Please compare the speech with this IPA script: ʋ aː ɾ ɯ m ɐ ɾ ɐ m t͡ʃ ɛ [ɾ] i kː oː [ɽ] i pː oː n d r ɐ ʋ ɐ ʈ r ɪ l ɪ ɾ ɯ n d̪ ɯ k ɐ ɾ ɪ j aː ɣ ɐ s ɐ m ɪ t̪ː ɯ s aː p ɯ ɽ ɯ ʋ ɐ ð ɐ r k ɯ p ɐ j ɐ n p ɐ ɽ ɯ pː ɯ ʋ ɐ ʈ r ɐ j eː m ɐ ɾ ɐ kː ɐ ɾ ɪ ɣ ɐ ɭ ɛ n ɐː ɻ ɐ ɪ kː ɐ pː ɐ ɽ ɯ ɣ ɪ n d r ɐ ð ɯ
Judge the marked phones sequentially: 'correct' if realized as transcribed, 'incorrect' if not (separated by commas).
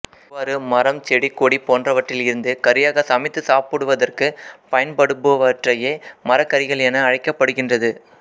incorrect, correct